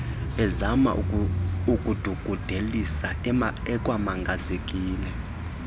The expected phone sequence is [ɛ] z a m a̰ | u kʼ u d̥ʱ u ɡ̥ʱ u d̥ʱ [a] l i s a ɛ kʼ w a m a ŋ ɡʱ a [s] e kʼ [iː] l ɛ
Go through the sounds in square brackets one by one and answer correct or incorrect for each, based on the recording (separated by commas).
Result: correct, incorrect, incorrect, correct